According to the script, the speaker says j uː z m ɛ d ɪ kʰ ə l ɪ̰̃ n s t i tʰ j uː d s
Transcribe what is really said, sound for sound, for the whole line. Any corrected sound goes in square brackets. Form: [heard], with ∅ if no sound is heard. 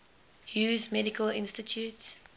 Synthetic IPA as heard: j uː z m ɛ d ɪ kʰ ə l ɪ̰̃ n s t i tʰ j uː [t] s